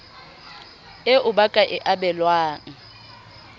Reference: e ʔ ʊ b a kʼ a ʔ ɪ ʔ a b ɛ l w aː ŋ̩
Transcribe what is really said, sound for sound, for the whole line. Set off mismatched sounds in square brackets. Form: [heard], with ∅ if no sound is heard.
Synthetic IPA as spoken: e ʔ ʊ b a kʼ a ʔ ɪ ʔ a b ɛ l w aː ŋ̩